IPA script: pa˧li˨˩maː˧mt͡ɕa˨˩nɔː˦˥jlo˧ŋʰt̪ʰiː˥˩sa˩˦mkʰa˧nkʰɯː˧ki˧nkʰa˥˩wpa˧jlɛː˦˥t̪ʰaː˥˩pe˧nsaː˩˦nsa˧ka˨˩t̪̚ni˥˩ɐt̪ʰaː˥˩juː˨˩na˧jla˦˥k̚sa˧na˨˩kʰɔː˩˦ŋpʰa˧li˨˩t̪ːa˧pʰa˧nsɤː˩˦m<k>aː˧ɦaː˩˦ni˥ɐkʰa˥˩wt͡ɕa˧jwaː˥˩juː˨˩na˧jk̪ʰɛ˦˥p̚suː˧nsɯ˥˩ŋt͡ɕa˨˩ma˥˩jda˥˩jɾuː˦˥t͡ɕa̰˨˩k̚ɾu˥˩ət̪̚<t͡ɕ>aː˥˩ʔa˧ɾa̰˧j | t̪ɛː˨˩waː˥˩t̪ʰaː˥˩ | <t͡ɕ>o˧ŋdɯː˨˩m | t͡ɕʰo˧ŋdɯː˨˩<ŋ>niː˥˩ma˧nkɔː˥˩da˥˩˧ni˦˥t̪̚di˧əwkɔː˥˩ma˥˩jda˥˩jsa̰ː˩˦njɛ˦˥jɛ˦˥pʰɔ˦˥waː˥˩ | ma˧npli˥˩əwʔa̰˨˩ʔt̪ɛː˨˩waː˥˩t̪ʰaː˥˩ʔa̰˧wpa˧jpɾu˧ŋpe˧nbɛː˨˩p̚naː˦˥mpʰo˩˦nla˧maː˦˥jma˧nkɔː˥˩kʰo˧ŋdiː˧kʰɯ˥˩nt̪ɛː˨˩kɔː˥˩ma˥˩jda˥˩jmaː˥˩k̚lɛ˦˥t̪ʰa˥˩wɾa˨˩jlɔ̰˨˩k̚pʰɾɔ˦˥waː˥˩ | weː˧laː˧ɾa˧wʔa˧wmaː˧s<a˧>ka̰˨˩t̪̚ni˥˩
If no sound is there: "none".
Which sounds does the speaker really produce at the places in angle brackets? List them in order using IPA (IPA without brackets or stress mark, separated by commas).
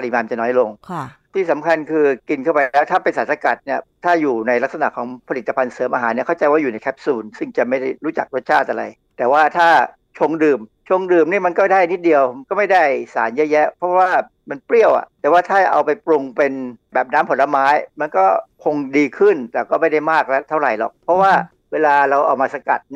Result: ʔ, t͡ɕʰ, t͡ɕʰ, m, a˧